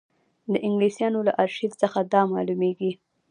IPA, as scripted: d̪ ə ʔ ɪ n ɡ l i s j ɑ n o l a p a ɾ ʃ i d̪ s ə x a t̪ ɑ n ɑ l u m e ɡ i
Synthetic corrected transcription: d̪ ə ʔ ɪ ŋ ɡ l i s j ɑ n o l a ʔ a ɾ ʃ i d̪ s ə x a d̪ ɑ m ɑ l u m e ɡ i